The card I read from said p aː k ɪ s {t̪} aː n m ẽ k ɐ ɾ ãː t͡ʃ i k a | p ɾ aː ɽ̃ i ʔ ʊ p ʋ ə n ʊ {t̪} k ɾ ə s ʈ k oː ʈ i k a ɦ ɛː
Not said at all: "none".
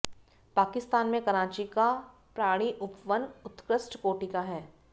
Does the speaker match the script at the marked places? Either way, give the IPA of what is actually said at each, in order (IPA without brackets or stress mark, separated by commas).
t̪, t̪